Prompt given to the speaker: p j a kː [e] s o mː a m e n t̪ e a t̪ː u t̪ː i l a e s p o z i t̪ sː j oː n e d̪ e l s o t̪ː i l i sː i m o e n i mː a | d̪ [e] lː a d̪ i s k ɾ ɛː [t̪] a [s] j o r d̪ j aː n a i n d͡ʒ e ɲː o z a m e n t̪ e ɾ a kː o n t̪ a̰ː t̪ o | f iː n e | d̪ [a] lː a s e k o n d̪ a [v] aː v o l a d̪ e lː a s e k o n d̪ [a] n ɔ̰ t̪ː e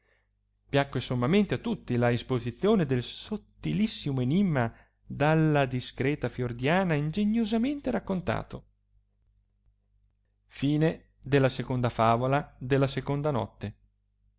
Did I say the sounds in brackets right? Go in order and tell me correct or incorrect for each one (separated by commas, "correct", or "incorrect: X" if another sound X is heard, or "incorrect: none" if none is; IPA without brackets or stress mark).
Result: correct, incorrect: a, correct, incorrect: f, incorrect: e, incorrect: f, correct